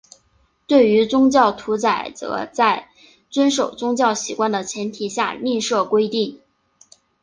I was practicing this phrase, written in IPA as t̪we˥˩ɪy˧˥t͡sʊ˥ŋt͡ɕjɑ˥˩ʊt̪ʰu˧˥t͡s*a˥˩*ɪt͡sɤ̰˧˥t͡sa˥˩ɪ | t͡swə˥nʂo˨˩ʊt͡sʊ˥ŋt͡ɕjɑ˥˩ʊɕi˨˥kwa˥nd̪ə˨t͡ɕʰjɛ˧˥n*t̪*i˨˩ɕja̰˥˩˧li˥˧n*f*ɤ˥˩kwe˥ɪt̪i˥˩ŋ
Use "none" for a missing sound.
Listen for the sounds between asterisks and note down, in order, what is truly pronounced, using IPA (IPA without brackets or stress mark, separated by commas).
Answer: a˨˩, t̪ʰ, ʂ